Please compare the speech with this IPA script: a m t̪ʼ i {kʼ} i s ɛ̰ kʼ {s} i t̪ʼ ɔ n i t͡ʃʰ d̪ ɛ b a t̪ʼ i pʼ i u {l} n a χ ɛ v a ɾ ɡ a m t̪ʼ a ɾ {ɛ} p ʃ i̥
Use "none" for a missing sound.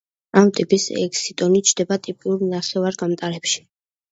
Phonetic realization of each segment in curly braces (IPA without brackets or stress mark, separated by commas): pʼ, s, ɾ, ɛ